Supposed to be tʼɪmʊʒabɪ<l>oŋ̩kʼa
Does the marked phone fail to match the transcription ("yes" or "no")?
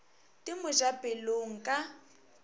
no